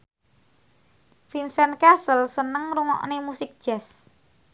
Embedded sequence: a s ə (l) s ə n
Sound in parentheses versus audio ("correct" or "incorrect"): correct